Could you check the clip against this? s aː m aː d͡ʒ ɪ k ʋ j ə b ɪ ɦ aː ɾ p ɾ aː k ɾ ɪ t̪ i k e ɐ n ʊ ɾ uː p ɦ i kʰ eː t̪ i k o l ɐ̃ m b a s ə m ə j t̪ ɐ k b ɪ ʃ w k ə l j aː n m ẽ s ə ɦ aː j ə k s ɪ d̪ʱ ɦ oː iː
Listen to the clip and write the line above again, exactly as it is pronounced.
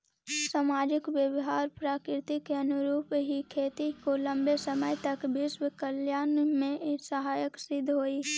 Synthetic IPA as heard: s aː m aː d͡ʒ ɪ k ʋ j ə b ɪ ɦ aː ɾ p ɾ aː k ɾ ɪ t̪ i k e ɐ n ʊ ɾ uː p ɦ i kʰ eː t̪ i k o l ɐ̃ m b e s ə m ə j t̪ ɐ k b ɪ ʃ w k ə l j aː n m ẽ s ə ɦ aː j ə k s ɪ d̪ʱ ɦ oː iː